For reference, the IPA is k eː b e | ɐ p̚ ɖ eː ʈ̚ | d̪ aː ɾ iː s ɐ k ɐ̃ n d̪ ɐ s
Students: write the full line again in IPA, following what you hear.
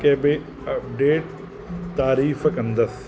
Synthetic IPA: k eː b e | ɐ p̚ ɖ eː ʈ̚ | t̪ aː ɾ iː f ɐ k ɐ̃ n d̪ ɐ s